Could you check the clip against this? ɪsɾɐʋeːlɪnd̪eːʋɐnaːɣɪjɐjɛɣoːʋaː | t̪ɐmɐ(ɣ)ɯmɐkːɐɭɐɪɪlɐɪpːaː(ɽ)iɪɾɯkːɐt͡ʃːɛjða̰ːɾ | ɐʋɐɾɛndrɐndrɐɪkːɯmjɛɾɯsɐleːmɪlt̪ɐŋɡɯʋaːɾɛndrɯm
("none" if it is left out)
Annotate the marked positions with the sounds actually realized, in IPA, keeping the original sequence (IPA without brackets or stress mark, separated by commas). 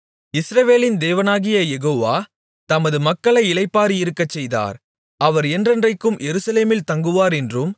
ð, ɾ